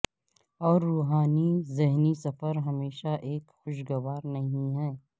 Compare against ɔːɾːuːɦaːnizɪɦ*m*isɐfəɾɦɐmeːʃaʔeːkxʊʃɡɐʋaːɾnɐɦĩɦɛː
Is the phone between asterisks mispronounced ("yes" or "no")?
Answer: yes